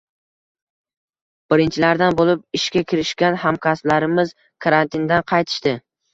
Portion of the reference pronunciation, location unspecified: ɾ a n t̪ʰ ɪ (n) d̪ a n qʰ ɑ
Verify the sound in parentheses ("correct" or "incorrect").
correct